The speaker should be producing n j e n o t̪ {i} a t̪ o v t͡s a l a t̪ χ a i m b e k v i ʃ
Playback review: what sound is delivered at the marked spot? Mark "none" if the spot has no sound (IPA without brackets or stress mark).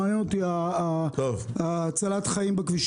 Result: i